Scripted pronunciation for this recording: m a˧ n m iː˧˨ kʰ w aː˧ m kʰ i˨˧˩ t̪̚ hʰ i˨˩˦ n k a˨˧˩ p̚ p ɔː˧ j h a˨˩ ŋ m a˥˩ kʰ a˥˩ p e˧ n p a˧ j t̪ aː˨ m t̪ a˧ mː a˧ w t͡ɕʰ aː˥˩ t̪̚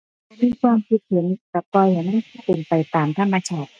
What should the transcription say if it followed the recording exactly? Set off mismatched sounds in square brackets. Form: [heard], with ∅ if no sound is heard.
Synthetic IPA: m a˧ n m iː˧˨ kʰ w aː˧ m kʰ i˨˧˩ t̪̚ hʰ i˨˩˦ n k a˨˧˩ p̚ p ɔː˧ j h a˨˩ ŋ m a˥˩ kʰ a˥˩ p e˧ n p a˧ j t̪ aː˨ m [t̪ʰ] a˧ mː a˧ [∅] t͡ɕʰ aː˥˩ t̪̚

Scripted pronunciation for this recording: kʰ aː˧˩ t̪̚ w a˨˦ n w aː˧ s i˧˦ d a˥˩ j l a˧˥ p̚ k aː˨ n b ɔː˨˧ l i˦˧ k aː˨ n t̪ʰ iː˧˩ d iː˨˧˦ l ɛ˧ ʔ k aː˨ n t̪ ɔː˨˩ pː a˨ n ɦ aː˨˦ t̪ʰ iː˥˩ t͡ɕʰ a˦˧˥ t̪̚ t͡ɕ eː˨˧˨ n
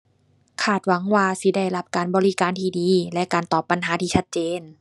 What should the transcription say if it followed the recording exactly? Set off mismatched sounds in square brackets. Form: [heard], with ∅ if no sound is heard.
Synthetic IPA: kʰ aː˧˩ t̪̚ w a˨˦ [ŋ] w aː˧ s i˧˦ d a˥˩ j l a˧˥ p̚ k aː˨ n b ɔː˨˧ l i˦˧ k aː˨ n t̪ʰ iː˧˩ d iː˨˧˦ l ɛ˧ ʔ k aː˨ n t̪ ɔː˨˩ pː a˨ n ɦ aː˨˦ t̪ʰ [iː˧] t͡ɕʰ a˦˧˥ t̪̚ t͡ɕ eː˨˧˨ n

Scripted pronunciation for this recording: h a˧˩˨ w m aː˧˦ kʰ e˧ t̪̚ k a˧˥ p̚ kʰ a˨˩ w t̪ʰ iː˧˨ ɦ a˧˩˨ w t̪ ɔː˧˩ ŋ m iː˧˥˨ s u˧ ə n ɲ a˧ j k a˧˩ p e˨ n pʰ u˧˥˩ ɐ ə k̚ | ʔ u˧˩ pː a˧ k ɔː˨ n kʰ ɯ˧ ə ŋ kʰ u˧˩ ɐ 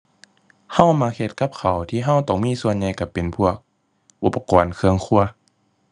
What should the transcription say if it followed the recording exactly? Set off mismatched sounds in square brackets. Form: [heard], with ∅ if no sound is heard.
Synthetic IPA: h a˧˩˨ w m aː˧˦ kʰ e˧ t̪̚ k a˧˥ p̚ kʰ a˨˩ w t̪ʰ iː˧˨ ɦ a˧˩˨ w t̪ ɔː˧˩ ŋ m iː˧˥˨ s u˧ ə n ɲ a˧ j k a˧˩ p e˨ n pʰ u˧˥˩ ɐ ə k̚ | ʔ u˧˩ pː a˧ k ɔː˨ n kʰ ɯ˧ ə ŋ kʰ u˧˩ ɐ

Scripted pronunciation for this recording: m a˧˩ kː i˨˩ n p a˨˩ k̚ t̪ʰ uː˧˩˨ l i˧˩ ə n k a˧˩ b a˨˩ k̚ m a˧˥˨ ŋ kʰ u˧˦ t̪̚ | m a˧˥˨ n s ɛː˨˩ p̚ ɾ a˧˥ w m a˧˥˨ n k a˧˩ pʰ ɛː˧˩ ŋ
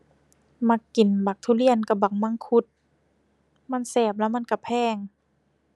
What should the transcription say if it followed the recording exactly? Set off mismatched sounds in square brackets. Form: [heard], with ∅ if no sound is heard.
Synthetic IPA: m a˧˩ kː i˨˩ n [b] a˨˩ k̚ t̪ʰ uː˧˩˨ l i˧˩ ə n k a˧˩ b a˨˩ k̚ m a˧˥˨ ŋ kʰ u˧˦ t̪̚ | m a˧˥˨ n s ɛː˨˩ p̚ [l] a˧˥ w m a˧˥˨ n k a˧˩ pʰ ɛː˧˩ ŋ

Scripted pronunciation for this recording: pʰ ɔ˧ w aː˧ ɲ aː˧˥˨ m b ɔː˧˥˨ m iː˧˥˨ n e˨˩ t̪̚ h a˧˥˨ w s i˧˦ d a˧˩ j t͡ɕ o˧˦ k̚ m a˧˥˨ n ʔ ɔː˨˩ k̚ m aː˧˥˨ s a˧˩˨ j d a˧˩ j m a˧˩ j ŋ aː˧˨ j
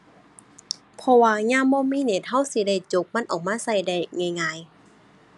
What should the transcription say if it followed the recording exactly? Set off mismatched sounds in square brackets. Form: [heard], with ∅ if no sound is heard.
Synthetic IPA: pʰ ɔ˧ w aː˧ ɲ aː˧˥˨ m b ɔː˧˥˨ m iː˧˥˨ n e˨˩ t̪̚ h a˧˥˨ w s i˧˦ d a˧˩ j t͡ɕ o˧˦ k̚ m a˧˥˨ n ʔ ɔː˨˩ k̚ m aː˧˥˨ s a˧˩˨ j d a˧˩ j [ŋ] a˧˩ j ŋ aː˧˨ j

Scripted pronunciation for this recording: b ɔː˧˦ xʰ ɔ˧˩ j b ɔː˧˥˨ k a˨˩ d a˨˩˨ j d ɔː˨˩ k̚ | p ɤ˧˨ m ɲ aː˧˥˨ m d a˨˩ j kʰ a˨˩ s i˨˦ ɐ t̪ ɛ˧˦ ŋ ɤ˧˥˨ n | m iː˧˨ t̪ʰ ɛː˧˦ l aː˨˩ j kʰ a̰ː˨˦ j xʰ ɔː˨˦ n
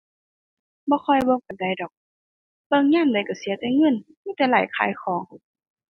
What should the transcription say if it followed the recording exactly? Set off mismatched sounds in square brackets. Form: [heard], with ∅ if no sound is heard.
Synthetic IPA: b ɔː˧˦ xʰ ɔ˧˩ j b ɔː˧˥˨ k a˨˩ d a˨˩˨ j d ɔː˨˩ k̚ | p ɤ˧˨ [ŋ] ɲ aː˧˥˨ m d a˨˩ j [k] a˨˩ s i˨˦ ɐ t̪ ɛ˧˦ ŋ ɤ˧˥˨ n | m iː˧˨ [t̪] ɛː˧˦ l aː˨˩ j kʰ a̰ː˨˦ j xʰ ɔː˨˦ [ŋ]

